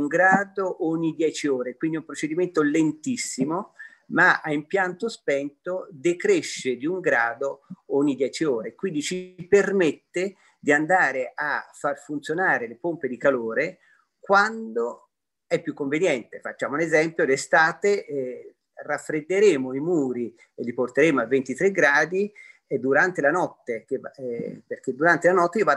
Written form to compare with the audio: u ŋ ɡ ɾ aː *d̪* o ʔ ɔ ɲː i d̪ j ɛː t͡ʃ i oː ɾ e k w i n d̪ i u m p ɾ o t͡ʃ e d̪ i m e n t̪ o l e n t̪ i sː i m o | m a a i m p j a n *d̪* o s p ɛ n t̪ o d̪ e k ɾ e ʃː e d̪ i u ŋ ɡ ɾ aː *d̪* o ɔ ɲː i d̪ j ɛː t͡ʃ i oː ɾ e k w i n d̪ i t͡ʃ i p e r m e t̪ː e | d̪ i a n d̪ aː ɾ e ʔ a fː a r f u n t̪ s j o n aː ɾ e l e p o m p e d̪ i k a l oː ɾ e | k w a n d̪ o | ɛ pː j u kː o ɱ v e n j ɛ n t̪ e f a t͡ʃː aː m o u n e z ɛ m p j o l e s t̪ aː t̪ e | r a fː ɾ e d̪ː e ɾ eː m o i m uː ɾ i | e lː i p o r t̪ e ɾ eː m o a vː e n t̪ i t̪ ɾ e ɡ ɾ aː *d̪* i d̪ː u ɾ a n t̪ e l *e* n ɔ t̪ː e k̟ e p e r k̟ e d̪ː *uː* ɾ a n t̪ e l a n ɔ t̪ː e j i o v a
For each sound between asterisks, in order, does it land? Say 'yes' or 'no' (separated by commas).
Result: yes, no, yes, yes, no, no